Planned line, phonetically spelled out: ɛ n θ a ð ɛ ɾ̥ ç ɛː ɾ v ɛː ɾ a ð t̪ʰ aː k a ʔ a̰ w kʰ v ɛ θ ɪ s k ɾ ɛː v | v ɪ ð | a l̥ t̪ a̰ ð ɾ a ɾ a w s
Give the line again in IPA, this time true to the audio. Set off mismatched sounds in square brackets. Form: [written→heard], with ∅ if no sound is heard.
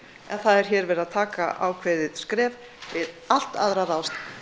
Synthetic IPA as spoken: ɛ n θ a ð ɛ ɾ̥ ç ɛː ɾ v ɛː ɾ a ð t̪ʰ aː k a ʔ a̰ w kʰ v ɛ [θ→ð] ɪ s k ɾ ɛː v | v ɪ ð | a l̥ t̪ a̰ ð ɾ a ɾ a w s